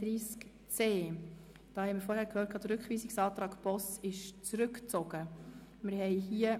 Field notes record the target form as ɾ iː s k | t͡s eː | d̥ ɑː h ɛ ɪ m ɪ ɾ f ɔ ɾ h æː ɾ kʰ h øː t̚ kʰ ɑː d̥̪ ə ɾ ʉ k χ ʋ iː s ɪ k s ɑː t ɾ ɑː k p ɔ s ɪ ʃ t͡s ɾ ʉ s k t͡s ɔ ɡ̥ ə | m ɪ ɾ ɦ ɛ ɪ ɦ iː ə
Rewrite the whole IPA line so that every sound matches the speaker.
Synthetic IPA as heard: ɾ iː s k | t͡s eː | d̥ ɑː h ɛ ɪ m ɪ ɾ f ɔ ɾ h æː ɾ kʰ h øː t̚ kʰ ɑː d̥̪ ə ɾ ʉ k χ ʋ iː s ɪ k s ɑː t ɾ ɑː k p ɔ s ɪ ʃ t͡s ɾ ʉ k t͡s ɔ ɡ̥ ə | m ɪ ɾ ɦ ɛ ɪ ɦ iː ə